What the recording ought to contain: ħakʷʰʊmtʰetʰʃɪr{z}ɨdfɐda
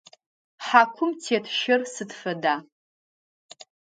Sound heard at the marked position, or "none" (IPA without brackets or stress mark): s